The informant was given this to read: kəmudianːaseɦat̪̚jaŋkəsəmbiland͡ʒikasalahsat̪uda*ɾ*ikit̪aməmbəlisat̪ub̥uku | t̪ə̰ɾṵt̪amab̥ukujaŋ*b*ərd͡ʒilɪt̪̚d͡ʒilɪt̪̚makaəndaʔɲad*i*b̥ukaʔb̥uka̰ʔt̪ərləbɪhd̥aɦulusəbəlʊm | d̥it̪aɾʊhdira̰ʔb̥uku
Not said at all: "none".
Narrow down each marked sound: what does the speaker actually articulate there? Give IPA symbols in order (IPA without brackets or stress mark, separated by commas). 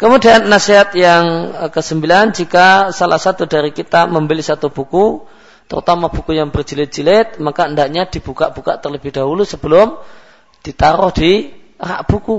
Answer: ɾ, b, i